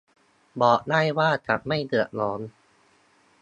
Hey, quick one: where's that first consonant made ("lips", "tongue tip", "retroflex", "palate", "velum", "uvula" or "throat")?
lips